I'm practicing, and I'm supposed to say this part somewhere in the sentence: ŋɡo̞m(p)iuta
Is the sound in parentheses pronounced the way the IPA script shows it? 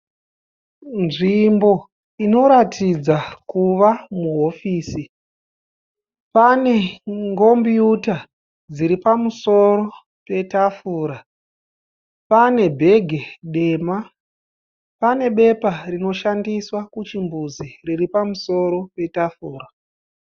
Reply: no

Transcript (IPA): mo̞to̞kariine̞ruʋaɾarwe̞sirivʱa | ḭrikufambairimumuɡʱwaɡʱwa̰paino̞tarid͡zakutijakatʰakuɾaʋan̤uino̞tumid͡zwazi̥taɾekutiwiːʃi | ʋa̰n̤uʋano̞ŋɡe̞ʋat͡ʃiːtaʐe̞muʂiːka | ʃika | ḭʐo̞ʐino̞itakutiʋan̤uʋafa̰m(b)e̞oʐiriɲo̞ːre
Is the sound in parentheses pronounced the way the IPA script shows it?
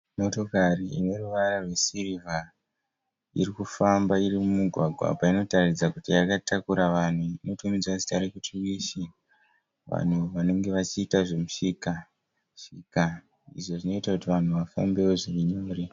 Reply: yes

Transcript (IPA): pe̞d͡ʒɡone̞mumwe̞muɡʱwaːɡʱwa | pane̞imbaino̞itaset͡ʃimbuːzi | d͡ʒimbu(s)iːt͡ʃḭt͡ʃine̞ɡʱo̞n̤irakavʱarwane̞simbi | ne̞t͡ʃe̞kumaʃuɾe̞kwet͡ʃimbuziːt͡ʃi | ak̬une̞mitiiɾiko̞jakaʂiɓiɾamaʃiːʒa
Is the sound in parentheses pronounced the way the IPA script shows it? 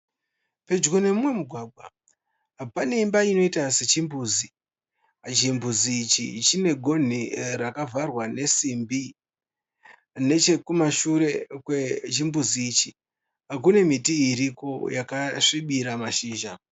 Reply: no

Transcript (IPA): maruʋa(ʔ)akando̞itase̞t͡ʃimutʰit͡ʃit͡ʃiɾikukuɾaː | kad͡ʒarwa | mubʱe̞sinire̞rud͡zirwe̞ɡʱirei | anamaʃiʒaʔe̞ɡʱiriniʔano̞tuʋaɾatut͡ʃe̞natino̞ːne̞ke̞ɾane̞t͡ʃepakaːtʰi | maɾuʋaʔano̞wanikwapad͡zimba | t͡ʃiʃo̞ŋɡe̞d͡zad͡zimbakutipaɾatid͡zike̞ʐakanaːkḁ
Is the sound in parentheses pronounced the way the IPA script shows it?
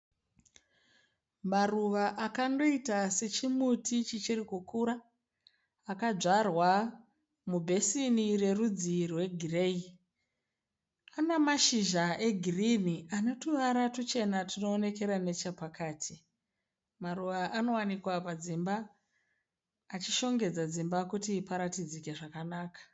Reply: yes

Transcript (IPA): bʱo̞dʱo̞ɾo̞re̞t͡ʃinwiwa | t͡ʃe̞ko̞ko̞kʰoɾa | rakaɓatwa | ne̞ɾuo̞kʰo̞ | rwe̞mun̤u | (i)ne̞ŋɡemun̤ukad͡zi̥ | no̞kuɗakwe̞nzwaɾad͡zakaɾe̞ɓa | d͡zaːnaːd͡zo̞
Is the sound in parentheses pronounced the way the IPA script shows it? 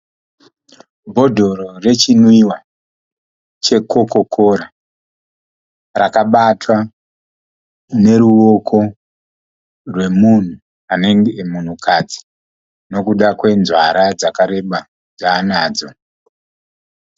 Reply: no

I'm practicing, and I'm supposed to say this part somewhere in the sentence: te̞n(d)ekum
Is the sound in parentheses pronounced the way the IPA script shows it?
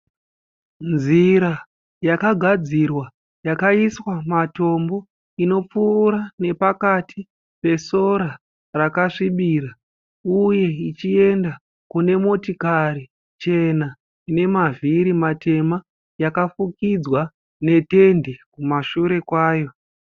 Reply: yes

